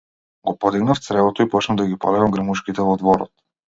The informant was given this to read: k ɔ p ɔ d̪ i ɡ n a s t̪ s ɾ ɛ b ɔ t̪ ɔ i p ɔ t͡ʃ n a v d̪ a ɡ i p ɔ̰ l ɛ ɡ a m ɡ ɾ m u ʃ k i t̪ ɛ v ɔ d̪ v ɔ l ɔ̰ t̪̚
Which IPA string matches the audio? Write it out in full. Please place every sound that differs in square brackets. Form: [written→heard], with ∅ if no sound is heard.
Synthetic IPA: [k→ɡ] ɔ p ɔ d̪ i ɡ n a [s→f] t̪ s ɾ ɛ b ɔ t̪ ɔ i p ɔ t͡ʃ n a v d̪ a ɡ i p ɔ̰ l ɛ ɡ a m ɡ ɾ m u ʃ k i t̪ ɛ v ɔ d̪ v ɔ [l→ɾ] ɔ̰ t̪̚